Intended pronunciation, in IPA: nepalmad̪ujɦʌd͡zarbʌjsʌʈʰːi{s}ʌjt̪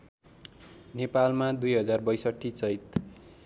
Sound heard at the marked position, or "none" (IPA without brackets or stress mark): t͡s